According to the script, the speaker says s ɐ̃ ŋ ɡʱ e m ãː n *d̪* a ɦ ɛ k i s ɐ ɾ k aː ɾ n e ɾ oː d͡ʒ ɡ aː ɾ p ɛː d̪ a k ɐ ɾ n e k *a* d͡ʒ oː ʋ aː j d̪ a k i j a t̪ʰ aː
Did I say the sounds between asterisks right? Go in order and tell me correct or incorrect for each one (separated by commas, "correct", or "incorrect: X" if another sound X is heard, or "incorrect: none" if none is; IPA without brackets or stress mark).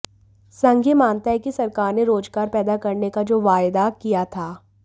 incorrect: t̪, correct